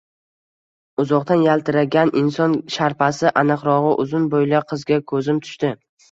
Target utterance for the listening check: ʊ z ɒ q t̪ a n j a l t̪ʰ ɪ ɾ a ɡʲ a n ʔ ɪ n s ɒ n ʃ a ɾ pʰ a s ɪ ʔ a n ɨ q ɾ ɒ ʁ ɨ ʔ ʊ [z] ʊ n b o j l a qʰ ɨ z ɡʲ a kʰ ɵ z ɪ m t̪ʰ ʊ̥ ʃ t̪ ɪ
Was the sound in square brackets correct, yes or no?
yes